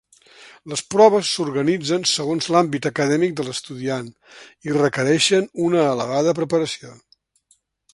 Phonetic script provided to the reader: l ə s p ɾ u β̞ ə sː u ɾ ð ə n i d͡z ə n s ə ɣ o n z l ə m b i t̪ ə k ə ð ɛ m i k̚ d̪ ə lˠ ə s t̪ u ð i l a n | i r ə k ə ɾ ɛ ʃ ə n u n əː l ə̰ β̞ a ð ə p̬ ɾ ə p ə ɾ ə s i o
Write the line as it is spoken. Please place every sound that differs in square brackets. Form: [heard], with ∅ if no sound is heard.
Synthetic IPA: l ə s p ɾ [ɔ] β̞ ə sː u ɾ [ɣ] ə n i d͡z ə n s ə ɣ o n z l [a] m b i t̪ ə k ə ð ɛ m i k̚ d̪ ə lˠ ə s t̪ u ð i [∅] a n | i r ə k ə ɾ ɛ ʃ ə n u n əː l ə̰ β̞ a ð ə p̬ ɾ ə p ə ɾ ə s i o

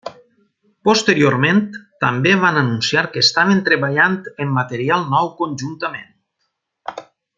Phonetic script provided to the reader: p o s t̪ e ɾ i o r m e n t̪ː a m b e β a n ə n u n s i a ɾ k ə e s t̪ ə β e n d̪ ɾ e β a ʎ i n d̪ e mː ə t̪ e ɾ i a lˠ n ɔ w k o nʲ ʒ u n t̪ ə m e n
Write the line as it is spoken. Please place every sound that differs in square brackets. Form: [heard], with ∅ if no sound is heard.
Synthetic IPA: p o s t̪ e ɾ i o [ɾ] m e n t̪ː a m b e β a n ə n u n s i a ɾ k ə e s t̪ [a] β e n [t̪] ɾ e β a ʎ [a] n [t̪] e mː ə t̪ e ɾ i a lˠ n ɔ w k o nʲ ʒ u n t̪ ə m e n

